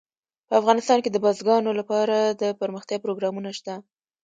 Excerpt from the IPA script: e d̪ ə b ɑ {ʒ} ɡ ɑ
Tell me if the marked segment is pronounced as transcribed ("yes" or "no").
no